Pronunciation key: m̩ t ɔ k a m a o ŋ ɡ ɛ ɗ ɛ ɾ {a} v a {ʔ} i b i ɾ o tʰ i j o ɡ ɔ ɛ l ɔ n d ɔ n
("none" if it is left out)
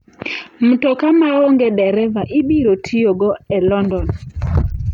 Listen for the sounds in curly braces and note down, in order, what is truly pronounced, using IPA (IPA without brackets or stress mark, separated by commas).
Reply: ɛ, ʔ